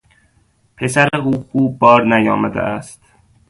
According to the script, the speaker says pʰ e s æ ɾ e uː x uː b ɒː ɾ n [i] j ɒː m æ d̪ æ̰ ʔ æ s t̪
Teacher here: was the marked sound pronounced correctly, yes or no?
no